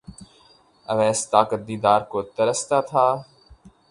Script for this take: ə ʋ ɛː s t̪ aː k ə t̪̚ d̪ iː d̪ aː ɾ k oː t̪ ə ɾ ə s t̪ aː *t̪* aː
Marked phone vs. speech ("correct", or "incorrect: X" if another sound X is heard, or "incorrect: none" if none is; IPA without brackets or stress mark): incorrect: t̪ʰ